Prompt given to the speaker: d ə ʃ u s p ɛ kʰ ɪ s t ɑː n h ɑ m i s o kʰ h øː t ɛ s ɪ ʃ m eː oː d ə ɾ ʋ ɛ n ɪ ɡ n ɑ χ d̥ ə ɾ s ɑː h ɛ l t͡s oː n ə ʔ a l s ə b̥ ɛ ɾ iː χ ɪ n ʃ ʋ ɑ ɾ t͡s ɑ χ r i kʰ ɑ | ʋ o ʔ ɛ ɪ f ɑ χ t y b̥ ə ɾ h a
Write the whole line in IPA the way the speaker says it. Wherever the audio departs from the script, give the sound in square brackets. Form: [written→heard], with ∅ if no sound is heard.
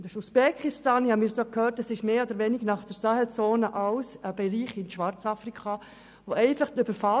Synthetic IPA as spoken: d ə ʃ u s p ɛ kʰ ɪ s t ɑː n h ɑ m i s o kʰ h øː t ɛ s ɪ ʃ m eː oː d ə ɾ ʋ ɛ n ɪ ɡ n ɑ χ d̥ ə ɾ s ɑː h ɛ l t͡s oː n ə ʔ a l s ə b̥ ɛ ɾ iː χ ɪ n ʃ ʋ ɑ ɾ t͡s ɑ [χ→f] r i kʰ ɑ | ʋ o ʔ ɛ ɪ f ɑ χ t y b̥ ə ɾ [h→f] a